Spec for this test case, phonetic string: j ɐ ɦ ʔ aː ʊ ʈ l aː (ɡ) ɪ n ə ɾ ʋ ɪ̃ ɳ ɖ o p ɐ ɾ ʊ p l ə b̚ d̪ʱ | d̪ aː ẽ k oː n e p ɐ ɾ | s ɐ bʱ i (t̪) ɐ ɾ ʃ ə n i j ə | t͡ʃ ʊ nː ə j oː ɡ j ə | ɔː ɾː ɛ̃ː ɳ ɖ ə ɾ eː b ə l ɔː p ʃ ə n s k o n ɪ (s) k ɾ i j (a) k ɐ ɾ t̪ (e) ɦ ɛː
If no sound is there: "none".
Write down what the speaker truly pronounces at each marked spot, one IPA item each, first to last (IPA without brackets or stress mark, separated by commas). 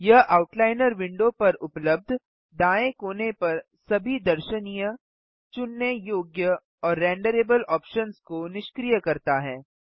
none, d̪, ʃ, ə, a